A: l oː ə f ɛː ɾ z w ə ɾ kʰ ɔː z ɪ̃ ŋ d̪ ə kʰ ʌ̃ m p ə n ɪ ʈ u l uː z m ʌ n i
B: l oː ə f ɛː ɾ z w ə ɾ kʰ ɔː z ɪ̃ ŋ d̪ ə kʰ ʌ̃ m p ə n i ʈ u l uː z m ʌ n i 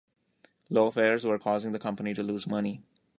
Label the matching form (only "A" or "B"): B